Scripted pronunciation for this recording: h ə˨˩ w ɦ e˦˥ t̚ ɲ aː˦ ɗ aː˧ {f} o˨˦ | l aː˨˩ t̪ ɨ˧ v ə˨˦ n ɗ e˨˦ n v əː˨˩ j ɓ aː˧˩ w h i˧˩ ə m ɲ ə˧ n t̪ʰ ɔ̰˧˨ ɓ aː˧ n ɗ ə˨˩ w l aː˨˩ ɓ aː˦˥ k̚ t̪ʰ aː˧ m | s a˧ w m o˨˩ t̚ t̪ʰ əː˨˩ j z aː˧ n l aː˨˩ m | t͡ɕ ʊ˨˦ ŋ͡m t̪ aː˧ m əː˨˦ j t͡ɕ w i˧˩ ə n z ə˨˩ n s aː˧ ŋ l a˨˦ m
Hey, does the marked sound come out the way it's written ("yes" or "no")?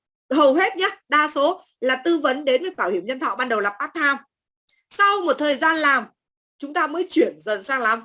no